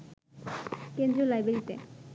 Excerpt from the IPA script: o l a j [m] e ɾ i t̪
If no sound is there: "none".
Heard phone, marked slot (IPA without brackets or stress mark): b